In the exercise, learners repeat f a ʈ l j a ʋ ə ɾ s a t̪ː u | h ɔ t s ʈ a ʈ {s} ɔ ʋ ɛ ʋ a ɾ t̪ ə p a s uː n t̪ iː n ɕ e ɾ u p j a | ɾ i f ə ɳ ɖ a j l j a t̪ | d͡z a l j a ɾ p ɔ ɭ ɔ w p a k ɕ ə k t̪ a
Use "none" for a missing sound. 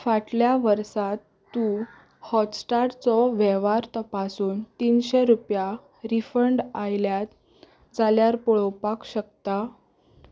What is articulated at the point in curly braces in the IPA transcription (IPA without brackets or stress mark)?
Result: t͡s